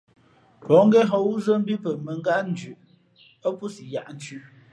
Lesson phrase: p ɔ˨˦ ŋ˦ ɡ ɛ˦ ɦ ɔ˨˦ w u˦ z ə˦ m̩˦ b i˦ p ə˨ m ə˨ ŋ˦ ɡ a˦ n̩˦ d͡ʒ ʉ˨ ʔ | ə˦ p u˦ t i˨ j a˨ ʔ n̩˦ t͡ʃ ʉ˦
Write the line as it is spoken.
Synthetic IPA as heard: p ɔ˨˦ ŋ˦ ɡ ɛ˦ ɦ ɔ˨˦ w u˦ z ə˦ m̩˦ b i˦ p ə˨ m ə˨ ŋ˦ ɡ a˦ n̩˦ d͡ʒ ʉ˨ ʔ | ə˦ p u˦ s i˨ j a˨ ʔ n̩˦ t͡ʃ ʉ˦